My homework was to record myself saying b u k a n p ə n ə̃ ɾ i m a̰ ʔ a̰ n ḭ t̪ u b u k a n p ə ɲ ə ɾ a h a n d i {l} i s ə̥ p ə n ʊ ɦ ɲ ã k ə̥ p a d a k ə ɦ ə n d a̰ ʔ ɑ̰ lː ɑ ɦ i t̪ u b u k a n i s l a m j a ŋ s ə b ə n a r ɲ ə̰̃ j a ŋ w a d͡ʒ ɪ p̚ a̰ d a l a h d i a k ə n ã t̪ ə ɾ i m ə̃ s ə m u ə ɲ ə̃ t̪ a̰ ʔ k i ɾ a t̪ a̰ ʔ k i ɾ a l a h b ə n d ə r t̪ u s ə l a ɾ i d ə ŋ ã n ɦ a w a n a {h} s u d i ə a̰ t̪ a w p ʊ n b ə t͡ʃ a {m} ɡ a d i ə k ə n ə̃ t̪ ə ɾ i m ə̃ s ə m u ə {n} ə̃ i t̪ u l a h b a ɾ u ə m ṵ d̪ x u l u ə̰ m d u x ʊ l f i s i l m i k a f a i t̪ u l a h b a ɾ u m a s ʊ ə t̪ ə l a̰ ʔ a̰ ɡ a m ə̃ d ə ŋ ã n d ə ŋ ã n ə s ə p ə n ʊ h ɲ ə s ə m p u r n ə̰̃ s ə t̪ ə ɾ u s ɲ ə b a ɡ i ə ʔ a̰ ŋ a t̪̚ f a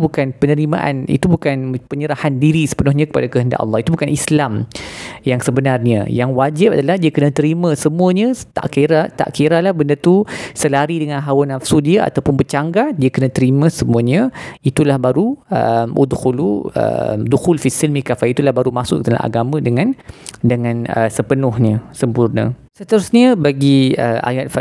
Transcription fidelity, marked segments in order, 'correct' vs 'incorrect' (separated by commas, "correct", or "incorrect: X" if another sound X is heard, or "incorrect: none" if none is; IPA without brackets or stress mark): incorrect: ɾ, incorrect: f, incorrect: ŋ, incorrect: ɲ